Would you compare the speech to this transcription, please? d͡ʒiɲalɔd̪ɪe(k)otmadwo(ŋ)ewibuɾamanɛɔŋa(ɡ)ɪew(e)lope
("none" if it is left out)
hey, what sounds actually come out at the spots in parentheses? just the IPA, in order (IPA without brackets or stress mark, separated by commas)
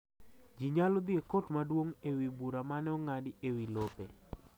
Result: k, ŋ, d, i